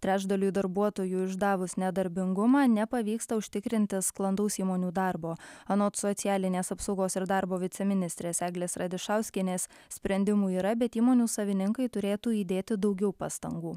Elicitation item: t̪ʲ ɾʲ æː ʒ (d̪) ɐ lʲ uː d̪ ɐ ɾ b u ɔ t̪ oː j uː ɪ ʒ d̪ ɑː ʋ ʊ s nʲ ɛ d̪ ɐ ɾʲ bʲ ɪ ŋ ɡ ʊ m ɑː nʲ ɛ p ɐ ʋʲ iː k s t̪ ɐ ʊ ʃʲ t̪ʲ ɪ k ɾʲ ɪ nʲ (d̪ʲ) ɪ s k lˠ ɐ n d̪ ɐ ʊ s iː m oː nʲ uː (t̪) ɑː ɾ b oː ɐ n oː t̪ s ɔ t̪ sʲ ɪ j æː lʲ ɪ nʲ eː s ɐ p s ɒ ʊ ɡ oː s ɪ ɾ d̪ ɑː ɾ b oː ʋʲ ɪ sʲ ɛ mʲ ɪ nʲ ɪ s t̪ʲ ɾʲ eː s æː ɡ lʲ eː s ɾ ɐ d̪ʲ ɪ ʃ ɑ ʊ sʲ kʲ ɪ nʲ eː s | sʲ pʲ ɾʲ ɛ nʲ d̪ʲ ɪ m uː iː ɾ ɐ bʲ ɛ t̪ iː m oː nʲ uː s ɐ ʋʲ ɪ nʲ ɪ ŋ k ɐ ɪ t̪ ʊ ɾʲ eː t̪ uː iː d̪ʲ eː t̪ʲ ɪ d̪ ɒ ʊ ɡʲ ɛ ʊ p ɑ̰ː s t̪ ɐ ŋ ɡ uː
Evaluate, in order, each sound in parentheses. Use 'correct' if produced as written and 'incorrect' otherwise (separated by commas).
correct, incorrect, incorrect